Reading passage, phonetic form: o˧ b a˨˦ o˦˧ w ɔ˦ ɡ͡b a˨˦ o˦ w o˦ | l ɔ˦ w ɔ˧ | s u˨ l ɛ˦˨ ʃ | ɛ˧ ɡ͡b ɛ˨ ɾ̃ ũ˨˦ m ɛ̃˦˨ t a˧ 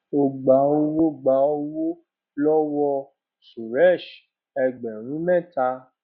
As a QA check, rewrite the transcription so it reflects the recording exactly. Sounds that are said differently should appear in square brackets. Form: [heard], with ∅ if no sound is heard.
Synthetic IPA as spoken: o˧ [ɡ͡b] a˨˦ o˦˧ w [o˦] ɡ͡b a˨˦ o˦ w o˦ | l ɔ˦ w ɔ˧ | s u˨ [ɾ] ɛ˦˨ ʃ | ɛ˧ ɡ͡b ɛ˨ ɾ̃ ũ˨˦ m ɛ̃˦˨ t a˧